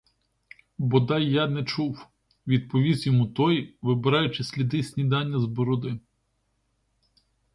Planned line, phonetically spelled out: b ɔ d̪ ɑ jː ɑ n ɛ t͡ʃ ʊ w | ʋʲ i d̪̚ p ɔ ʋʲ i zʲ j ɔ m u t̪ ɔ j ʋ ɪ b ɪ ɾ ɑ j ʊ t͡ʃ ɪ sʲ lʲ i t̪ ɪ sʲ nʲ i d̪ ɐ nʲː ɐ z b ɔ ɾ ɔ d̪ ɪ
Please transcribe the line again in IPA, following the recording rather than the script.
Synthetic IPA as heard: b ɔ d̪ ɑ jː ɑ n ɛ t͡ʃ u w | ʋʲ i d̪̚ p ɔ ʋʲ i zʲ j ɔ m u t̪ ɔ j ʋ ɪ b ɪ ɾ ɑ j ʊ t͡ʃ ɪ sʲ lʲ i d̪ ɪ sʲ nʲ i d̪ ɑ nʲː ɐ z b ɔ ɾ ɔ d̪ ɪ